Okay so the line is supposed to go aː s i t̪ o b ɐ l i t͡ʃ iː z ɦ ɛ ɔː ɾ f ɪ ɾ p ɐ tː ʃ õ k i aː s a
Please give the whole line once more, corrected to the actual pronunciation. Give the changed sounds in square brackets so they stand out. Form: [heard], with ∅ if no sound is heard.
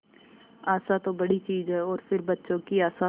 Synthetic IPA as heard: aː s [a] t̪ o b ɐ [ɽ] i t͡ʃ iː z ɦ ɛ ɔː ɾ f ɪ ɾ [b] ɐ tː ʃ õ k i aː s a